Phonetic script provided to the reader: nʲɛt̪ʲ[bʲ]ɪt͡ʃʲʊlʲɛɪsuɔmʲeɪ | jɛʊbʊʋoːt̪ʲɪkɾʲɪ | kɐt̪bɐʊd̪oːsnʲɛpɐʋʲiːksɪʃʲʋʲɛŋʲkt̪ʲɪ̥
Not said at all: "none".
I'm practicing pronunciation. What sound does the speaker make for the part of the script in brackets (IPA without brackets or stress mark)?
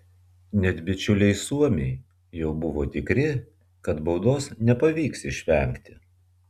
bʲ